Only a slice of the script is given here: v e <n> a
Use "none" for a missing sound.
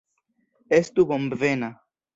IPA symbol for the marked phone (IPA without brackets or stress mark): n